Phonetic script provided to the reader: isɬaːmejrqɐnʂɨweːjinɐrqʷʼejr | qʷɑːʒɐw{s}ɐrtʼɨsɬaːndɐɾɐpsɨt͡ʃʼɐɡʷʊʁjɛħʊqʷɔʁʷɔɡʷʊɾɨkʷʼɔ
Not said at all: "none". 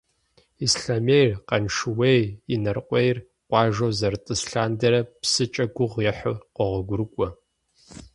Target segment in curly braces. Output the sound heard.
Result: z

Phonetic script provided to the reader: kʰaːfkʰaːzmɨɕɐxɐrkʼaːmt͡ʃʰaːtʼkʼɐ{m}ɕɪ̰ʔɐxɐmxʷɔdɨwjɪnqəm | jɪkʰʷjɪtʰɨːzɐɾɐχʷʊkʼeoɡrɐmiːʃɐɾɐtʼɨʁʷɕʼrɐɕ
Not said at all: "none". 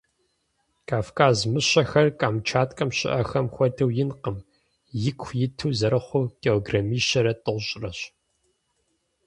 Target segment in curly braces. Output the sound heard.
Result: m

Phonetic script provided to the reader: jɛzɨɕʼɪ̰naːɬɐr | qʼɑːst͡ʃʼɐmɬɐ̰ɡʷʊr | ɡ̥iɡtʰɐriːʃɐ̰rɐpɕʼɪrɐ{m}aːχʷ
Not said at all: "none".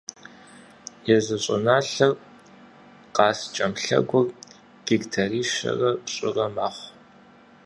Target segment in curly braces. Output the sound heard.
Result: m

